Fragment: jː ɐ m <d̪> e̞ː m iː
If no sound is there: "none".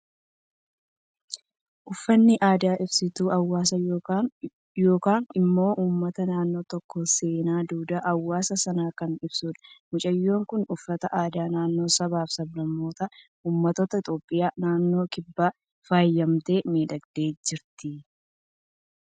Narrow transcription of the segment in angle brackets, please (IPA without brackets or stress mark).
t̪